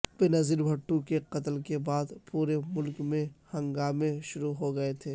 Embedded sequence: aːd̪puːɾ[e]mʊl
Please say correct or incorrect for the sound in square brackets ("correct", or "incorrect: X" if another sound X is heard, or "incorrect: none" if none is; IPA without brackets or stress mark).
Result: correct